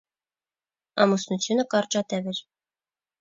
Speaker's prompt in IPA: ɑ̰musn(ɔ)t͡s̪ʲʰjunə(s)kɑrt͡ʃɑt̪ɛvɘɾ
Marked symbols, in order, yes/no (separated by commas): no, no